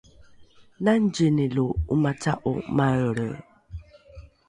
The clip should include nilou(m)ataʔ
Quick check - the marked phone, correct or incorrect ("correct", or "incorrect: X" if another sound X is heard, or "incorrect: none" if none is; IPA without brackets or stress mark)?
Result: correct